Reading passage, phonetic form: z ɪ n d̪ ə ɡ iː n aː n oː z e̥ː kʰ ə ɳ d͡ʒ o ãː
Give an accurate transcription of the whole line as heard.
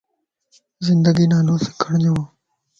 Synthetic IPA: z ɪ n d̪ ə ɡ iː n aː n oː s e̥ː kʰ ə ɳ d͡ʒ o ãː

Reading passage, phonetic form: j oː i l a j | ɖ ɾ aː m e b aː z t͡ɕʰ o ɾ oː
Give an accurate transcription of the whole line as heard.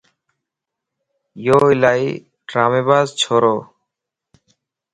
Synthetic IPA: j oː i l a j | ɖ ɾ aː m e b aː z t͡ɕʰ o ɾ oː

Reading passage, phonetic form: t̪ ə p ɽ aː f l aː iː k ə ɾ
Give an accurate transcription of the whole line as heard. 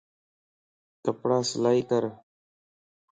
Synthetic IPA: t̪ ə p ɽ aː s l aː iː k ə ɾ

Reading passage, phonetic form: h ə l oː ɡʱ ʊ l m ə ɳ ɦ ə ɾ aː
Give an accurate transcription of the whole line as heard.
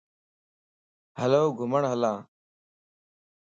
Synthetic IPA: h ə l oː ɡʱ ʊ m ə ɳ ɦ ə l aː

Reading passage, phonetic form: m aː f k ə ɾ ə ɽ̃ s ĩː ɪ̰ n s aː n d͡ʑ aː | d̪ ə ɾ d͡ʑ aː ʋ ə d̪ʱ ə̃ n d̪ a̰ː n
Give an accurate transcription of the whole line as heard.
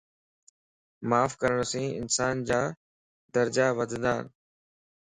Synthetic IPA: m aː f k ə ɾ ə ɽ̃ s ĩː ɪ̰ n s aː n d͡ʑ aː | d̪ ə ɾ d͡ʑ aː ʋ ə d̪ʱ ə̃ n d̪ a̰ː n

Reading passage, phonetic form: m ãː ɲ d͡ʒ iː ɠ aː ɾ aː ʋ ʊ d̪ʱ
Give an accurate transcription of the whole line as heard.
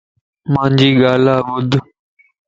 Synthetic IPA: m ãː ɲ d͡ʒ iː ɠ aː l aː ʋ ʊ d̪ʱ

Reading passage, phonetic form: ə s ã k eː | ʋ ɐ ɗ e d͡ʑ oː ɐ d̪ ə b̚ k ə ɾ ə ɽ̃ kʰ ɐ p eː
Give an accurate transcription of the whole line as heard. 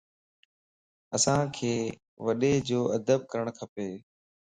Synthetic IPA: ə s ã kʰ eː | ʋ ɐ ɗ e d͡ʑ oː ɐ d̪ ə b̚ k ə ɾ ə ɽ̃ kʰ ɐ p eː

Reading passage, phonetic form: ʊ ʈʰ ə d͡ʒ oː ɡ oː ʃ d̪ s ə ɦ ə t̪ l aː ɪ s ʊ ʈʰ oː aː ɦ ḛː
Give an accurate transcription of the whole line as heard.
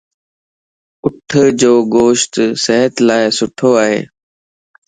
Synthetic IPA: ʊ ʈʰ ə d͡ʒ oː ɡ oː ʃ t̪ s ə ɦ ə t̪ l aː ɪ s ʊ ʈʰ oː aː ɦ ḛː

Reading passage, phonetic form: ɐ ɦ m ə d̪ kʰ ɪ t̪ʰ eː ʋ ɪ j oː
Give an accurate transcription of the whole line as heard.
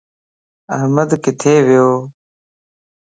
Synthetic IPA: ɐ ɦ m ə d̪ k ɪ t̪ʰ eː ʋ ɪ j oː

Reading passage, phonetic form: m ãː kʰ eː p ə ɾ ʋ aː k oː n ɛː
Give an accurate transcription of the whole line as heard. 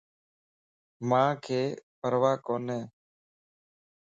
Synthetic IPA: m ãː kʰ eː p ə ɾ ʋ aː k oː n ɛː

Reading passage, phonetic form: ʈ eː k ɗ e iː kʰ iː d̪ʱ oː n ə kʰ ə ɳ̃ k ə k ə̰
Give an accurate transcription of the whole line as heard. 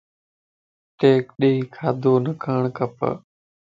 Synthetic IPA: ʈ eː k ɗ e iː kʰ aː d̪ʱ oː n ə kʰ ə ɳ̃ k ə p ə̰

